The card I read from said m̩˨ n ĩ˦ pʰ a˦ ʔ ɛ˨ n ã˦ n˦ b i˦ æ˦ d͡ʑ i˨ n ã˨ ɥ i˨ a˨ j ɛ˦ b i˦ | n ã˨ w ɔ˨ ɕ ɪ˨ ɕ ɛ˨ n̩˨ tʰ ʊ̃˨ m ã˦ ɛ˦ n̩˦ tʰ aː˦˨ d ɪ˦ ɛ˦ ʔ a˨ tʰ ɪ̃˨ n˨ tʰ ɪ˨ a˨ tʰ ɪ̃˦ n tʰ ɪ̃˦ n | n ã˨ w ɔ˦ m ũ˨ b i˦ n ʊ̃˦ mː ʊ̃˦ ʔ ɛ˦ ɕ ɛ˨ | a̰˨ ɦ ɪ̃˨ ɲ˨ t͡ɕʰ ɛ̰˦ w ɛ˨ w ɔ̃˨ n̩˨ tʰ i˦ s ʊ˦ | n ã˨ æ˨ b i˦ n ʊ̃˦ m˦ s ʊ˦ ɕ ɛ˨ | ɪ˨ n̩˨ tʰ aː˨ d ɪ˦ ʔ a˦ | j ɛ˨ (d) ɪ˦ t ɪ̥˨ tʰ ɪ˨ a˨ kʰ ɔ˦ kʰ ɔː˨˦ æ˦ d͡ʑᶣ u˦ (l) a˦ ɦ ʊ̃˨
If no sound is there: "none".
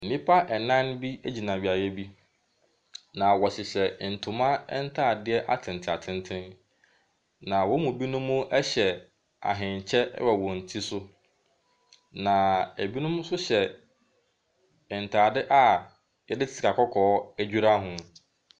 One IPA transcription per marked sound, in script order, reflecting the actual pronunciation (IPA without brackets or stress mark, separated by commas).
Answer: d, ɾ